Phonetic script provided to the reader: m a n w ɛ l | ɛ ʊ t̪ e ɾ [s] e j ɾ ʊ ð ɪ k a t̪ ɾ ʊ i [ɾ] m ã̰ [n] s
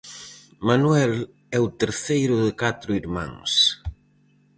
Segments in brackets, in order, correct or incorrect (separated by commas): incorrect, correct, incorrect